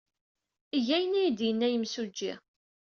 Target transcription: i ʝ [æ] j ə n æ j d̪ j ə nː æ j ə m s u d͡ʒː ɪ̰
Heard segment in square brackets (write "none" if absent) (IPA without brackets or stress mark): æ